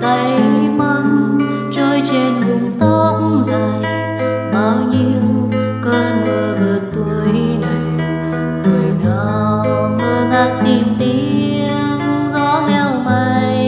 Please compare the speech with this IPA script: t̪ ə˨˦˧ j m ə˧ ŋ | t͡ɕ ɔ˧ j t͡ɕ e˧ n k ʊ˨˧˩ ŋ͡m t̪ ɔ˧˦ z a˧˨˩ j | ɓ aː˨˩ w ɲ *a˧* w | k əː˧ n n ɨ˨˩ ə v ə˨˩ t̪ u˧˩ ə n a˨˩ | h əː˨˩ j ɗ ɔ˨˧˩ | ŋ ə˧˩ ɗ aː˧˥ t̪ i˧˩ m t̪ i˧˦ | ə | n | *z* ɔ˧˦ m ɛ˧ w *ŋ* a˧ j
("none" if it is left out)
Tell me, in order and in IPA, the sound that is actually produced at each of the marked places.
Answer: i˧, z, m

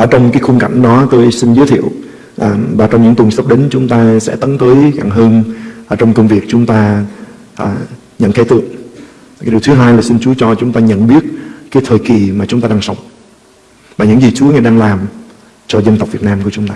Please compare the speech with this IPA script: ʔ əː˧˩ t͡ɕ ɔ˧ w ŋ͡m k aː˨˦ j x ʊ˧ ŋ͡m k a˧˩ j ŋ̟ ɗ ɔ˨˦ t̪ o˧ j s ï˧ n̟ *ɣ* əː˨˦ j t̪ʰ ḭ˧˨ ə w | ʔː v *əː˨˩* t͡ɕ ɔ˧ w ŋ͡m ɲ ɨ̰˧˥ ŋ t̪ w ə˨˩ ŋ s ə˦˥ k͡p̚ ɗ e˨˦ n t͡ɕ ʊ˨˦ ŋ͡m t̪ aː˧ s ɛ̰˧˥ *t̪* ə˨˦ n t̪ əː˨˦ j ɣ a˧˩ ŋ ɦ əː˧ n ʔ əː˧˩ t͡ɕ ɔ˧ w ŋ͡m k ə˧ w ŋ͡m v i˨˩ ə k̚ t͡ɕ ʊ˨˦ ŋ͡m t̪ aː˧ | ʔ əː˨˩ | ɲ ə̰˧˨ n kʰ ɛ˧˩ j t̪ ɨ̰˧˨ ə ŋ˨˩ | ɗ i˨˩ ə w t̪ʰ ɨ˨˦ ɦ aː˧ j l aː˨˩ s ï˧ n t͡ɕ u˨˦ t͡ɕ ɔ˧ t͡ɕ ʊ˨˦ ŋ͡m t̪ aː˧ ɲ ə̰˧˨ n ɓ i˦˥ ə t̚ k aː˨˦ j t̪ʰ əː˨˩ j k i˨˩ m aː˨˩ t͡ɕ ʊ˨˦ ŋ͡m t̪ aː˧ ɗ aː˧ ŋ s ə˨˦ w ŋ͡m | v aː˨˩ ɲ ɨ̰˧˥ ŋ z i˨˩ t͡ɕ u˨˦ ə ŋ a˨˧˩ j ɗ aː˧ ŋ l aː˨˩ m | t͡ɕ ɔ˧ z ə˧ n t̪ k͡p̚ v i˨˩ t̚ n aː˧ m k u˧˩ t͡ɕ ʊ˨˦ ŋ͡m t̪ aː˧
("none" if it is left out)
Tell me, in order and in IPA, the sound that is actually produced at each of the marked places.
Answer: z, aː˨˩, t̪

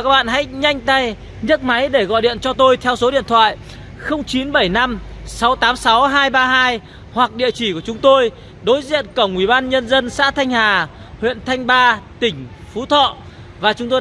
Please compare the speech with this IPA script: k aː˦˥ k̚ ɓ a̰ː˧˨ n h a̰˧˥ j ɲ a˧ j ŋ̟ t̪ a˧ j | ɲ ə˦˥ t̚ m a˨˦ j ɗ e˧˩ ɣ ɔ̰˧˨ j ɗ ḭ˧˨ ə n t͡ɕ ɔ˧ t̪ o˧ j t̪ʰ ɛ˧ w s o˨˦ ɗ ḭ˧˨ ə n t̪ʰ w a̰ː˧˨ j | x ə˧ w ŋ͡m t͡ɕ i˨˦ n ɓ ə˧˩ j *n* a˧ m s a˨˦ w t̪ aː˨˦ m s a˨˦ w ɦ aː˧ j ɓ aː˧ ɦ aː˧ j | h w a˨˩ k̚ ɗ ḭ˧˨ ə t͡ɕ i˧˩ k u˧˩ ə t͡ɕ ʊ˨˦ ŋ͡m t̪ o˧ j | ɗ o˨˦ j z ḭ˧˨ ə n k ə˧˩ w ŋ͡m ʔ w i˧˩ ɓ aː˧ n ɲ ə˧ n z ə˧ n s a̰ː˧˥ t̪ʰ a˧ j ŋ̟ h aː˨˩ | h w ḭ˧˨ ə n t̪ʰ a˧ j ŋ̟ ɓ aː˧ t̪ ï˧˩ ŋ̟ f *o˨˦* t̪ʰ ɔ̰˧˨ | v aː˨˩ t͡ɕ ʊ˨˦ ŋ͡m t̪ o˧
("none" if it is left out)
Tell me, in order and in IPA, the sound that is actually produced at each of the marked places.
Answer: n, u˨˦

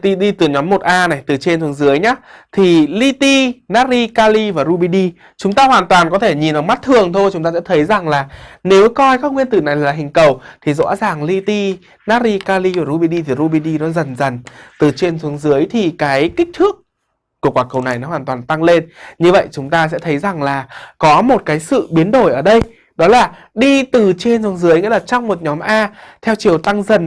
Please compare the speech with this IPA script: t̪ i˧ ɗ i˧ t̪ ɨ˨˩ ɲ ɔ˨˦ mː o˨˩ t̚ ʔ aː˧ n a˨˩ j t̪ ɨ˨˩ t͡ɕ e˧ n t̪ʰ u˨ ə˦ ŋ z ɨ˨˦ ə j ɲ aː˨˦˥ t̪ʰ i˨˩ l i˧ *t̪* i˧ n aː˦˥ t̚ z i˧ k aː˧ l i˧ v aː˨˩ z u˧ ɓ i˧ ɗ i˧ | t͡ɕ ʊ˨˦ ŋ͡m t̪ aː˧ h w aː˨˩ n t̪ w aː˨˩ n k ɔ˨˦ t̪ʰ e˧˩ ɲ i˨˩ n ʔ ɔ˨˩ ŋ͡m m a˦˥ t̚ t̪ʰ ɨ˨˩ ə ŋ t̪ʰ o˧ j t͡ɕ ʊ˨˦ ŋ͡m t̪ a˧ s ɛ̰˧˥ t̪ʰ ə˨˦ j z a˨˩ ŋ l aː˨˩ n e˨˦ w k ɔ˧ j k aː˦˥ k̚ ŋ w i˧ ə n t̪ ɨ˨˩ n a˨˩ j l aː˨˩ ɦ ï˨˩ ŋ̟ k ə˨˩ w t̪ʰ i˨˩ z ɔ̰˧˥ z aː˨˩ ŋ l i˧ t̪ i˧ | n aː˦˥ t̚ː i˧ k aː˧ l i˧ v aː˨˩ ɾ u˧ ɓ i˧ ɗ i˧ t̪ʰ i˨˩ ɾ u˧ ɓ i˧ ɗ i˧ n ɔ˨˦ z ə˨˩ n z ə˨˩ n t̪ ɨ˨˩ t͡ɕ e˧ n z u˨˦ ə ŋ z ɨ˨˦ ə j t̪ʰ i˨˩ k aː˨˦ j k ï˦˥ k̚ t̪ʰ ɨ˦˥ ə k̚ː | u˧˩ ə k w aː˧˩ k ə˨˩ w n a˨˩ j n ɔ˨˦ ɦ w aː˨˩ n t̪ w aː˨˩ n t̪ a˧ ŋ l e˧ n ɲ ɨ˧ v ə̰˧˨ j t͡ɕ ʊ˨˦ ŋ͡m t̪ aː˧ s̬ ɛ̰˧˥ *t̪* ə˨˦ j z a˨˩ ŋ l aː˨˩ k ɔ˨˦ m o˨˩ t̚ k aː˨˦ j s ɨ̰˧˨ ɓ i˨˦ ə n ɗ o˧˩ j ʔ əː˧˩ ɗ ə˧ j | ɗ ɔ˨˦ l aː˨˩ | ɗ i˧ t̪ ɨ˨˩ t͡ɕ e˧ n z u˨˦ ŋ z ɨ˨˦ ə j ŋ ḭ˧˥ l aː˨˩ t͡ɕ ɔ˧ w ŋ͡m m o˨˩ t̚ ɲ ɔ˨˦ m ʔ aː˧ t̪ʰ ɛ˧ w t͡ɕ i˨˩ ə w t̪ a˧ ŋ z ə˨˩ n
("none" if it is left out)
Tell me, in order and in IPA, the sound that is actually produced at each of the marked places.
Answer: t̪, t̪ʰ

